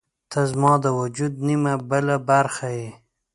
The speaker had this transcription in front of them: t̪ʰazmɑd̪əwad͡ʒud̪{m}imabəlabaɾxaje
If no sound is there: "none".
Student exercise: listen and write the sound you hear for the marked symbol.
n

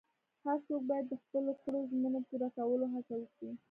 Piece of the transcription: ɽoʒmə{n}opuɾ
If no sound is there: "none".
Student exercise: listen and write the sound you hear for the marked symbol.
n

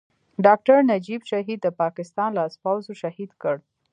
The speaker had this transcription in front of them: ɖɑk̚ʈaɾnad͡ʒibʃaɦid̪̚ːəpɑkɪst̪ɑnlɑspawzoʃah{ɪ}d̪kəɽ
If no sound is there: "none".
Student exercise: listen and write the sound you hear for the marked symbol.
i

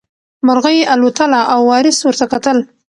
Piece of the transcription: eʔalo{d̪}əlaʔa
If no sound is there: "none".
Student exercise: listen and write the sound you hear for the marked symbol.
t̪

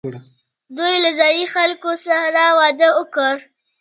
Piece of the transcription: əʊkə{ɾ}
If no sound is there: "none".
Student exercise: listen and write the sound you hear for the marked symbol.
ɾ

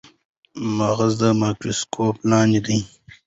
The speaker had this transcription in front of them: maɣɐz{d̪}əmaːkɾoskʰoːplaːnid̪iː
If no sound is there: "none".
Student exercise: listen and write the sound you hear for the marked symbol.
d̪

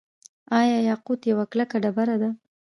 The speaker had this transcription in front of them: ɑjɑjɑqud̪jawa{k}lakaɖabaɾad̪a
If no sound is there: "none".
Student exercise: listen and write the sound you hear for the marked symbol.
k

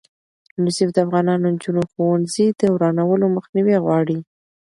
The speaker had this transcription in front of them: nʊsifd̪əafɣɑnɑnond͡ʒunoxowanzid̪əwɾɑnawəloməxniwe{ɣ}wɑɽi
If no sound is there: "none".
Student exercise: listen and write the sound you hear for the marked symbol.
ɣ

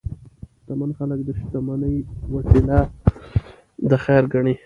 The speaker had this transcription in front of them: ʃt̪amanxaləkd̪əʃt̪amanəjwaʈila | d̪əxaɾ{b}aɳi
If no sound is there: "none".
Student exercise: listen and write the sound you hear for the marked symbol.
ɡ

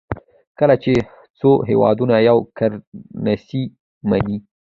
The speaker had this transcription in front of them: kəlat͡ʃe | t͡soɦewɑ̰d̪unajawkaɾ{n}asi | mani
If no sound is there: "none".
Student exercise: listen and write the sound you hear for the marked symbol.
n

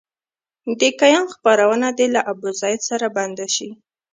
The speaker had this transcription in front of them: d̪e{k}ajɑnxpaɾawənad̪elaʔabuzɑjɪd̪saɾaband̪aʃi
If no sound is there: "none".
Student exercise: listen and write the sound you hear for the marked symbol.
k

